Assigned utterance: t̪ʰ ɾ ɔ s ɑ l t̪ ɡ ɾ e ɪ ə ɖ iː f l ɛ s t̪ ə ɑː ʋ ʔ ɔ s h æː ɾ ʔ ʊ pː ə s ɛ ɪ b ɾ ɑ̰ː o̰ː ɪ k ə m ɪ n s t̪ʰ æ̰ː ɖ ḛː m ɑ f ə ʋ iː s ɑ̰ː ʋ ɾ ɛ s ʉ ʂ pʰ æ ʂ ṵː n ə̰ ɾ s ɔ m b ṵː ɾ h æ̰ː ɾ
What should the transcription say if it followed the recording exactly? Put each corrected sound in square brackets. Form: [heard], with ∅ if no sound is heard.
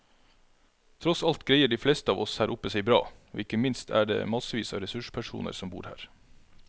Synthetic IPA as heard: t̪ʰ ɾ ɔ s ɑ l t̪ ɡ ɾ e ɪ ə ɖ iː f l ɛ s t̪ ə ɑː ʋ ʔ ɔ s h æː ɾ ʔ ʊ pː ə s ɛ ɪ b ɾ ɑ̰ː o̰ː ɪ k ə m ɪ n s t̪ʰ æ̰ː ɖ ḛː m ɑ [s] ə ʋ iː s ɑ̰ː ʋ ɾ ɛ s ʉ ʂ pʰ æ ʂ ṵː n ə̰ ɾ s ɔ m b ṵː ɾ h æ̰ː ɾ